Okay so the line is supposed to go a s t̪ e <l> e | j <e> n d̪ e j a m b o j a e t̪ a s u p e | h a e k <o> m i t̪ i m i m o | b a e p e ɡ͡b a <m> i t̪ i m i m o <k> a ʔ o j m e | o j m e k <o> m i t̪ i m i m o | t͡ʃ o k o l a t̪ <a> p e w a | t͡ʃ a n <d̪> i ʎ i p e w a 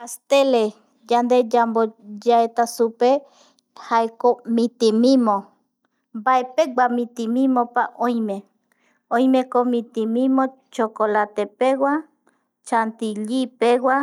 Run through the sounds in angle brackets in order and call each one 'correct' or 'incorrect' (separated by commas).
correct, incorrect, correct, correct, incorrect, correct, incorrect, incorrect